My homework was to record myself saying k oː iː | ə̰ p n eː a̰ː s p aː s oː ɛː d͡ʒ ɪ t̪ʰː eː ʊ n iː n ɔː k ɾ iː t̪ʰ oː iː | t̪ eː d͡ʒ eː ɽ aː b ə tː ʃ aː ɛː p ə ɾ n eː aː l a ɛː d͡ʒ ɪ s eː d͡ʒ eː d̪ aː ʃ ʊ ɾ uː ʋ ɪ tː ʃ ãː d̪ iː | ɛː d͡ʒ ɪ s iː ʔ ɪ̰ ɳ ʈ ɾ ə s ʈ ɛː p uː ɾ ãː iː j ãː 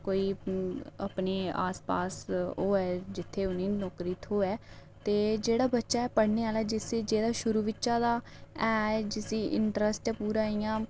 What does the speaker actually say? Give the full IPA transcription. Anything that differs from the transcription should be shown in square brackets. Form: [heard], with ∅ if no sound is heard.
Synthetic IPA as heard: k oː iː | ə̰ p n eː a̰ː s p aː s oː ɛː d͡ʒ ɪ t̪ʰː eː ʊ n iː n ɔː k ɾ iː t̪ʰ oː [ɛː] | t̪ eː d͡ʒ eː ɽ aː b ə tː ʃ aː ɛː p ə [ɽ] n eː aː l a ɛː d͡ʒ ɪ s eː d͡ʒ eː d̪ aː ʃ ʊ ɾ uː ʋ ɪ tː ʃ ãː d̪ [aː] | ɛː d͡ʒ ɪ s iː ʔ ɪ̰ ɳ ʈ ɾ ə s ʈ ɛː p uː ɾ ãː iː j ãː

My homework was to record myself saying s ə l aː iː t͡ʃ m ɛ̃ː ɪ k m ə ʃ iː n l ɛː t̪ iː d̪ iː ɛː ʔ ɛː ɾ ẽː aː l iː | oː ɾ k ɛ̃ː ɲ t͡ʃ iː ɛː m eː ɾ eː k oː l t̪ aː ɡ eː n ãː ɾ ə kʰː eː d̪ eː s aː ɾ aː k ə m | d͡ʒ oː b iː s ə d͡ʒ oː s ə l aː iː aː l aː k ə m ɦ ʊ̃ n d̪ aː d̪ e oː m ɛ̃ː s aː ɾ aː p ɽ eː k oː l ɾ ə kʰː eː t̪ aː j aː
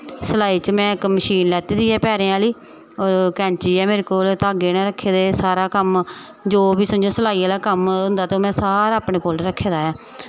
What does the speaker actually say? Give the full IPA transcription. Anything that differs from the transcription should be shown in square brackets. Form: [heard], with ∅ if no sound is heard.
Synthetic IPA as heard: s ə l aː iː t͡ʃ m ɛ̃ː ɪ k m ə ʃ iː n l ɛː t̪ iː d̪ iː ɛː [p] ɛː ɾ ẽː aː l iː | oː ɾ k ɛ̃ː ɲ t͡ʃ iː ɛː m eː ɾ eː k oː l t̪ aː ɡ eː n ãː ɾ ə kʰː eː d̪ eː s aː ɾ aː k ə m | d͡ʒ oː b iː s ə d͡ʒ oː s ə l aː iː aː l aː k ə m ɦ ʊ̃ n d̪ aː [t̪] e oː m ɛ̃ː s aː ɾ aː p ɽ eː k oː l ɾ ə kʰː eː [d̪] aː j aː

